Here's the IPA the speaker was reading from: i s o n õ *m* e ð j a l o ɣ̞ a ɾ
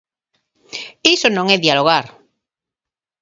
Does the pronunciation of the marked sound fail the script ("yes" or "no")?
yes